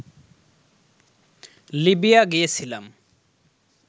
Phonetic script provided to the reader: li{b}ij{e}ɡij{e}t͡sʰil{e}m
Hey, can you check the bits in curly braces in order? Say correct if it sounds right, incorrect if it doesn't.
correct, incorrect: a, correct, incorrect: a

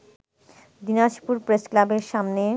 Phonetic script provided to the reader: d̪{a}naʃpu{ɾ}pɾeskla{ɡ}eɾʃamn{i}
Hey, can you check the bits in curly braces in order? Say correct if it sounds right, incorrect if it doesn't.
incorrect: i, correct, incorrect: b, incorrect: e

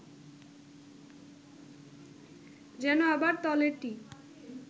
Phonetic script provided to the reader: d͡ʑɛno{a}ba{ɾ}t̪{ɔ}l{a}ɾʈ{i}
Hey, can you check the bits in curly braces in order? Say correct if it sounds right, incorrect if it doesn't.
correct, correct, correct, incorrect: e, correct

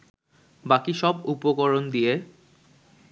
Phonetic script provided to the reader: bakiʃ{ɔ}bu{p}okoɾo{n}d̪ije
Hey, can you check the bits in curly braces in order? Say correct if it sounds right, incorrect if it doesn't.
correct, correct, correct

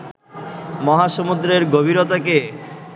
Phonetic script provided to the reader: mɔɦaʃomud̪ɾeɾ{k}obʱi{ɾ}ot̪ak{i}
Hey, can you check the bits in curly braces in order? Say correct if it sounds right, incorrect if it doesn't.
incorrect: ɡ, correct, incorrect: e

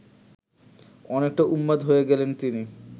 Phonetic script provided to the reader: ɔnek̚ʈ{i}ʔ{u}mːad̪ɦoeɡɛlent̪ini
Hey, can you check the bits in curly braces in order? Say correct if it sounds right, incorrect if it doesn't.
incorrect: a, correct

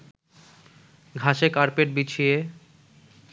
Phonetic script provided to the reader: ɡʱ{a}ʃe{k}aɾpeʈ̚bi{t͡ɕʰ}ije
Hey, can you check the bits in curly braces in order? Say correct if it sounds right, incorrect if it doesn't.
correct, correct, correct

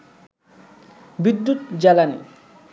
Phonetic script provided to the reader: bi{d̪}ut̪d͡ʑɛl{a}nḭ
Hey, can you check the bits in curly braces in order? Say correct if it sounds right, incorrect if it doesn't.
incorrect: d̪ː, correct

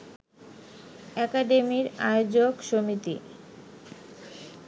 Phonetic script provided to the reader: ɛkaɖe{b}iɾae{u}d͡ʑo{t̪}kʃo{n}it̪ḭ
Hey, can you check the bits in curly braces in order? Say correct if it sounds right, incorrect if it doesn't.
incorrect: m, incorrect: o, incorrect: none, incorrect: m

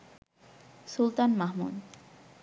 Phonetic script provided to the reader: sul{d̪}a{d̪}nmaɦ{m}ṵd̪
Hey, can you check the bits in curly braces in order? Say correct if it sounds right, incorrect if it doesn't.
incorrect: t̪, incorrect: none, correct

